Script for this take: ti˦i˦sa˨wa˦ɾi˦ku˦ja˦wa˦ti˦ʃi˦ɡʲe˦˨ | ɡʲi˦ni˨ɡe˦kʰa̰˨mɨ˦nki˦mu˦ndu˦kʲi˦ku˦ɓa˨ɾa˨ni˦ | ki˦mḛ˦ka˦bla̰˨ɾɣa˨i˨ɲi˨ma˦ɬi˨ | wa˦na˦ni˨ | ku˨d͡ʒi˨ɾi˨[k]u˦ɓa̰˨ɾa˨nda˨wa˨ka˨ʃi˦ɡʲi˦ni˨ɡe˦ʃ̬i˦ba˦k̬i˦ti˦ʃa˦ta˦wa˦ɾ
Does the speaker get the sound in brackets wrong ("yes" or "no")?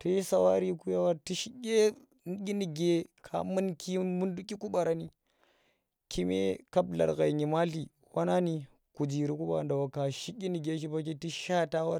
no